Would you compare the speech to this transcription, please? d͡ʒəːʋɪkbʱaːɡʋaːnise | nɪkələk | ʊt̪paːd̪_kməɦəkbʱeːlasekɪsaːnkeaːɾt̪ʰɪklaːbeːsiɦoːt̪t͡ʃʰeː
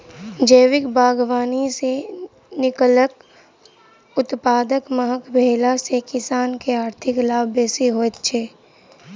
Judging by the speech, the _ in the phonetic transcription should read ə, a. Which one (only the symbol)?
ə